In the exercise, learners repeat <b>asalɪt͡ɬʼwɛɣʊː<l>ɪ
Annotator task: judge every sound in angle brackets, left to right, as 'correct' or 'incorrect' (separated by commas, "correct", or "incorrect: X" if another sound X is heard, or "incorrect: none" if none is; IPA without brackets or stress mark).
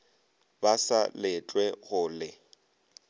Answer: correct, correct